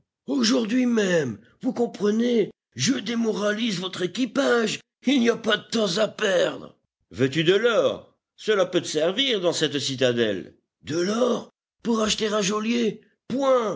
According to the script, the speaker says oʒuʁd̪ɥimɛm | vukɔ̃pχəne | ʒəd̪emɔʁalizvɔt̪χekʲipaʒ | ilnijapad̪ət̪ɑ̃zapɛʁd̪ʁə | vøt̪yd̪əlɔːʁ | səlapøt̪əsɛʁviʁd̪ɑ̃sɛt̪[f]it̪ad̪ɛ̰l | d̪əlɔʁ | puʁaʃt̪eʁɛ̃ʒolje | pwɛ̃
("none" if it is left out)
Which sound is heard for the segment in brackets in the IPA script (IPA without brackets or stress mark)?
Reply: s